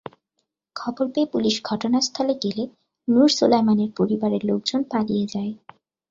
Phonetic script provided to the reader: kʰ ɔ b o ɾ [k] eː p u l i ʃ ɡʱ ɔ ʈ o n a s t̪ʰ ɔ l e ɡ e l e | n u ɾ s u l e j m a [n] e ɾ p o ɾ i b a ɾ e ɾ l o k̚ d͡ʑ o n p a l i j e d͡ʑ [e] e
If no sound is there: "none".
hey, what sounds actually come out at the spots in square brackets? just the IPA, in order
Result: p, n, a

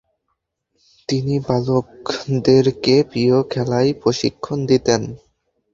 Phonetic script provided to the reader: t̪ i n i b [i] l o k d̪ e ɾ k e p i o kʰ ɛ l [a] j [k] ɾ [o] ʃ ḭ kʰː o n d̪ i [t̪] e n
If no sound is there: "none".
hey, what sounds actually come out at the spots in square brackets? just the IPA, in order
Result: a, a, p, o, t̪

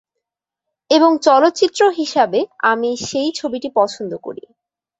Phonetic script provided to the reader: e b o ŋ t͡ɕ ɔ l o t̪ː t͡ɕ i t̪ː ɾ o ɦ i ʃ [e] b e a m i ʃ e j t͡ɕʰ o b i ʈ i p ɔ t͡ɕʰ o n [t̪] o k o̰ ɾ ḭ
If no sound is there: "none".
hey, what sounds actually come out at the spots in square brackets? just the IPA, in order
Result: a, d̪

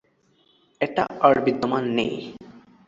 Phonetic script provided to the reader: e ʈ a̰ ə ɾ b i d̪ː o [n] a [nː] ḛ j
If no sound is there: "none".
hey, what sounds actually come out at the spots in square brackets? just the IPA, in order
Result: m, nː

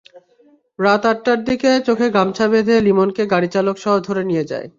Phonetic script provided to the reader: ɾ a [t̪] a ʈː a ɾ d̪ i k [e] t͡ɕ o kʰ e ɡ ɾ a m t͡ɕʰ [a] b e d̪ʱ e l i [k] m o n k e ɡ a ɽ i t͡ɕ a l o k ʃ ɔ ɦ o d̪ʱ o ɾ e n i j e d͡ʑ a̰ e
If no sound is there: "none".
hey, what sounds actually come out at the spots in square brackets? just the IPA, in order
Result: t̪, e, a, none

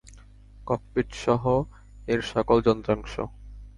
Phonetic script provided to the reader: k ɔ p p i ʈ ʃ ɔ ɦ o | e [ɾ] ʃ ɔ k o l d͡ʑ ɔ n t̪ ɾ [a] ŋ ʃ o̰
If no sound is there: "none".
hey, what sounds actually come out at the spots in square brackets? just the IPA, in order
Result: ɾ, a

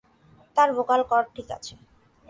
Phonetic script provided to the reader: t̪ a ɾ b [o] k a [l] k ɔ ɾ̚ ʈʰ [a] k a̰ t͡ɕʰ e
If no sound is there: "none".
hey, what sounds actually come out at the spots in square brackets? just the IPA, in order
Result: o, l, i

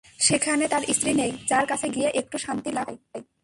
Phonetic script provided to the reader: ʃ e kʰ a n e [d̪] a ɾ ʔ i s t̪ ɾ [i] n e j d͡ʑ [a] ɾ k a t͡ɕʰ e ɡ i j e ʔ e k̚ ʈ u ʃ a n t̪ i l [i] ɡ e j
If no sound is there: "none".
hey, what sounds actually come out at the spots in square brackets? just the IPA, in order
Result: t̪, i, a, a

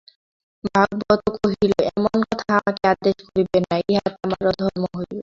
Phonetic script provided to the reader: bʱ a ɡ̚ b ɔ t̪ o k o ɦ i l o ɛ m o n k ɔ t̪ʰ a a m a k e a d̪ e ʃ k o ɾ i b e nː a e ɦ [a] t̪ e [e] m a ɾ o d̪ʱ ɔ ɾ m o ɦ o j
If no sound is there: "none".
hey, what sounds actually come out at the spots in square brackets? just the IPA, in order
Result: a, a

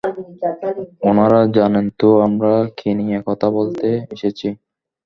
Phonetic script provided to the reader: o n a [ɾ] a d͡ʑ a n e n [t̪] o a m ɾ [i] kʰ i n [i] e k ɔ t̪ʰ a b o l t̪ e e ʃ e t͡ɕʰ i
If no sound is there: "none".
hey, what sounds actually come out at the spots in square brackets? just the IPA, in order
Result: ɾ, t̪, a, i

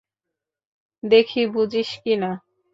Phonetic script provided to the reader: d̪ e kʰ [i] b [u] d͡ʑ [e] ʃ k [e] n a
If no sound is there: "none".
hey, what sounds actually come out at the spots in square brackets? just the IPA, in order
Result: i, u, i, i

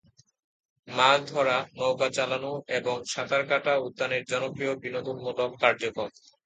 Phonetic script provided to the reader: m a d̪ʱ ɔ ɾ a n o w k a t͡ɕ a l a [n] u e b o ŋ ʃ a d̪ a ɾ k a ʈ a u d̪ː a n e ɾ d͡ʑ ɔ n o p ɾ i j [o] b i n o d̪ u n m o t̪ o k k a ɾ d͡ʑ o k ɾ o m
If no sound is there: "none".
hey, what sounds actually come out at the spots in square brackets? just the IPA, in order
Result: n, o

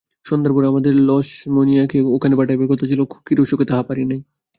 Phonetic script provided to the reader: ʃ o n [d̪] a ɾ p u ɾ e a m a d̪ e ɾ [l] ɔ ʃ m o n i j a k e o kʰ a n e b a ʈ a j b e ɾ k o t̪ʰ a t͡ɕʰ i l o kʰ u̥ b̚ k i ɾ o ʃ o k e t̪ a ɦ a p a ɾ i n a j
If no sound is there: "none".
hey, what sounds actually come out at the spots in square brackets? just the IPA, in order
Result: d̪, l

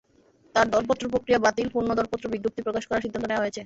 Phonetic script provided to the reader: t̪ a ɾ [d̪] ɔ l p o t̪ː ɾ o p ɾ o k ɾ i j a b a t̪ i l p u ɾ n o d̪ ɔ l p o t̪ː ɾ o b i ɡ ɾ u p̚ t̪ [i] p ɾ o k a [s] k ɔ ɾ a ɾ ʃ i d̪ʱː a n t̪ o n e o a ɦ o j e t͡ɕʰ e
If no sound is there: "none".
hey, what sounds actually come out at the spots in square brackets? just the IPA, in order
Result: d̪, i, ʃ

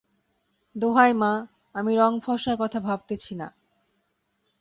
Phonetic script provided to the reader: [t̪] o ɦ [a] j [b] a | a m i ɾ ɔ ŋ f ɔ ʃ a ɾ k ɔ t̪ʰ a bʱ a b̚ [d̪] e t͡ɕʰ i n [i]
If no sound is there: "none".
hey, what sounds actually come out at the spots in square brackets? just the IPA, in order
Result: d̪, a, m, t̪, a

